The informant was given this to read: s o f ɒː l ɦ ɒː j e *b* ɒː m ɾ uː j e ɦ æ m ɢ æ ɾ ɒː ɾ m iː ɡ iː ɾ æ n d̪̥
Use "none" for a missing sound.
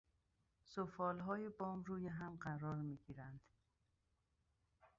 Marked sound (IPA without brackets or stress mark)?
b